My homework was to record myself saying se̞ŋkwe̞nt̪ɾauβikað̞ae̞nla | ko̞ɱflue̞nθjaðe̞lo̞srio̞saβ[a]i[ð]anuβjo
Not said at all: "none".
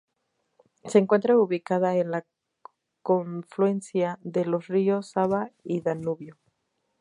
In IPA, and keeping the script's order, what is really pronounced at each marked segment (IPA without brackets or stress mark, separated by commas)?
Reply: a, ð